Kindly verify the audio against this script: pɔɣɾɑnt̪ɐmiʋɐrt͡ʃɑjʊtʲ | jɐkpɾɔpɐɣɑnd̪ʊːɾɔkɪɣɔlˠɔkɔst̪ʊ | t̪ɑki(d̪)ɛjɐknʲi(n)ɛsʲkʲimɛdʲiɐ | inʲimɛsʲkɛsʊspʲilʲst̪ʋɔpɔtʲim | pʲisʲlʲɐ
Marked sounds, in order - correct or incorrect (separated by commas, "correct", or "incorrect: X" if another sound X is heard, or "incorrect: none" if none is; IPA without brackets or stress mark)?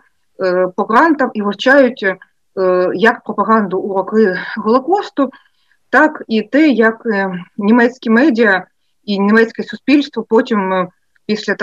incorrect: t̪, incorrect: m